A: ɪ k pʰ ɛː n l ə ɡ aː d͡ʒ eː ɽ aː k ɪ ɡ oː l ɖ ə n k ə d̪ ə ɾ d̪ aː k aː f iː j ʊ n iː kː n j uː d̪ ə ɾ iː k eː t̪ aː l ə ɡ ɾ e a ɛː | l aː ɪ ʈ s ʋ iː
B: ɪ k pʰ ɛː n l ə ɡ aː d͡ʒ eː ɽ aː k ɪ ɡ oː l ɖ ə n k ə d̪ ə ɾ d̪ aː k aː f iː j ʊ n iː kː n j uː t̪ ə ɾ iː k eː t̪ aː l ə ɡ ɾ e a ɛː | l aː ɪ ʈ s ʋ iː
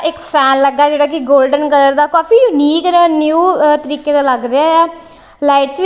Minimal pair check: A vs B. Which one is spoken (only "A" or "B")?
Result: B